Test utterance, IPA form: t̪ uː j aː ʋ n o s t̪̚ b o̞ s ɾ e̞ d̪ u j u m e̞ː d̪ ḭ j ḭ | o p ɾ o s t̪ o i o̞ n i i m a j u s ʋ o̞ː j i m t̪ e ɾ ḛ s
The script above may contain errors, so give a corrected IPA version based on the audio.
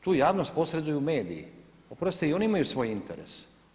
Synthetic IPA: t̪ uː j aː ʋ n o s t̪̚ p o̞ s ɾ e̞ d̪ u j u m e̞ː d̪ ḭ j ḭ | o p ɾ o s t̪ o i o̞ n i i m a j u s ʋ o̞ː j i n t̪ e ɾ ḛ s